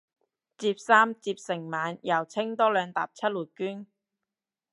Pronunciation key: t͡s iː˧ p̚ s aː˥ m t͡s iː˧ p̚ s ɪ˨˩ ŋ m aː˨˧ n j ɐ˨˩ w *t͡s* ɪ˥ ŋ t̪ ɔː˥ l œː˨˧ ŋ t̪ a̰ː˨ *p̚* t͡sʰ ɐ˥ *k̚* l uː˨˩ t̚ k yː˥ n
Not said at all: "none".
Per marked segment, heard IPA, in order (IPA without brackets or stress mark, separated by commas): t͡sʰ, p̚, t̚